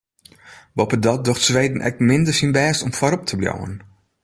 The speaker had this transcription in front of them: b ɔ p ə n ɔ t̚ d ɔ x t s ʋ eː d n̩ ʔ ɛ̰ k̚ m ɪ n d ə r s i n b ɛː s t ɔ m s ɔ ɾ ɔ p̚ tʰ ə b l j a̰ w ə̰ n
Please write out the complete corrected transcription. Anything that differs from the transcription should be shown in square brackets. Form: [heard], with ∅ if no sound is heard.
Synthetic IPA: b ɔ p ə [d] ɔ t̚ d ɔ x t s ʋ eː d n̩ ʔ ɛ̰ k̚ m ɪ n d ə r s i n b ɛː s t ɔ m [f] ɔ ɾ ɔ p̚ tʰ ə b l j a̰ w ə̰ n

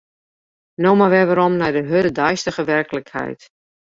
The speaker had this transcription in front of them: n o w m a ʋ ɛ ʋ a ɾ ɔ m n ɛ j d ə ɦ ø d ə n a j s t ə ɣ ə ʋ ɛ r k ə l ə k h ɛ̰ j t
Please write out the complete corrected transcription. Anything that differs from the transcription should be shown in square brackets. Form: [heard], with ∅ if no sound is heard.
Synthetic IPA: n o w m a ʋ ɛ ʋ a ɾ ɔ m n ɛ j d ə ɦ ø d ə [d] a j s t ə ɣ ə ʋ ɛ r k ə l ə k h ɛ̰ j t

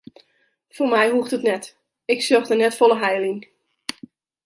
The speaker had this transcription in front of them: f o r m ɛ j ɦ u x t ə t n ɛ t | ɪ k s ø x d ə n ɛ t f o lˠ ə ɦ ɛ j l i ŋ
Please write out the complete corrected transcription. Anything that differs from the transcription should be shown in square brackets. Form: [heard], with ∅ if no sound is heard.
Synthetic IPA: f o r m ɛ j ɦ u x t ə t n ɛ t | ɪ k s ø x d ə n ɛ t f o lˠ ə ɦ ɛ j l i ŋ

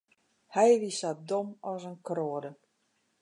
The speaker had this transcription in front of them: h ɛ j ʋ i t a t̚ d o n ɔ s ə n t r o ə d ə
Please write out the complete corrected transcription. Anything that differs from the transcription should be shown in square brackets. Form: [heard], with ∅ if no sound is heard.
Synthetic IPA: h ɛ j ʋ i [s] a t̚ d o [m] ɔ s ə n [k] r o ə d ə

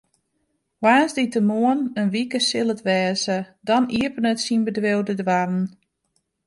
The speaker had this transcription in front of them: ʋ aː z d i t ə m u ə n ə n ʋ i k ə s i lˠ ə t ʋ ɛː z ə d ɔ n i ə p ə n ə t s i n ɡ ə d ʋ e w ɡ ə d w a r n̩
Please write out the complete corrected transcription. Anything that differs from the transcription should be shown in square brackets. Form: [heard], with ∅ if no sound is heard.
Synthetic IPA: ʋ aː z d i t ə m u ə n ə n ʋ i k ə s [ɪ] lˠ ə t ʋ ɛː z ə d ɔ n i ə p ə n ə t s i n [b] ə d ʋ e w [d] ə d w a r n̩

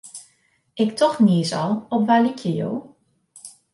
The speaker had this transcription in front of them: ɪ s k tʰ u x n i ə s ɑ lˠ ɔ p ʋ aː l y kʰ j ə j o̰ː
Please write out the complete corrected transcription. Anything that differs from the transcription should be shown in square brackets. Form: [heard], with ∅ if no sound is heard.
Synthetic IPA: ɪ [∅] k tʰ [ɔ] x n i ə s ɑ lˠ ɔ p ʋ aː l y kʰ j ə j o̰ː

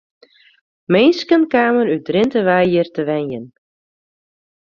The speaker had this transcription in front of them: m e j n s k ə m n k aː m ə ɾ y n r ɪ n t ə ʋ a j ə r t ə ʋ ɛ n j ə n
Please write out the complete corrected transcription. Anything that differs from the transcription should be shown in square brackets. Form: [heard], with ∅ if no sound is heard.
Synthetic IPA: m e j n s k ə [∅] n k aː m ə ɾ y [d] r ɪ n t ə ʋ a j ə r t ə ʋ ɛ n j ə n

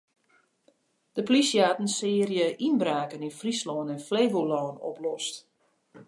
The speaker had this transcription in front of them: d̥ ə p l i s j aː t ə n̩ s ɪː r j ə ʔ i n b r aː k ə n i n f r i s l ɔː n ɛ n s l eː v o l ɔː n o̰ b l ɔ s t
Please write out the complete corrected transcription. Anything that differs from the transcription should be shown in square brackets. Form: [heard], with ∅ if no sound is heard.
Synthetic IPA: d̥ ə p l i s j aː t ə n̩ s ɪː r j ə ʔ i n b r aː k ə n i n f r i s l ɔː n ɛ n [f] l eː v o l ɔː n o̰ [p] l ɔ s t

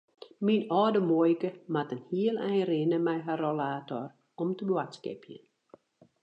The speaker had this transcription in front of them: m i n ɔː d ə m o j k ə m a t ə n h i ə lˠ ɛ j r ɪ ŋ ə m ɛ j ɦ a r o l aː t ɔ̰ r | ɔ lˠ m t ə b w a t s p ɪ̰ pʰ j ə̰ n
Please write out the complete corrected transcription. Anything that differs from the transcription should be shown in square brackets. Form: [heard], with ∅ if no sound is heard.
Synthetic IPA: m i n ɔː d ə m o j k ə m a t ə n h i ə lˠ ɛ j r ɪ [n] ə m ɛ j ɦ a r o l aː t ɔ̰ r | ɔ [∅] m t ə b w a t s [k] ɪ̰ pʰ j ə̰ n

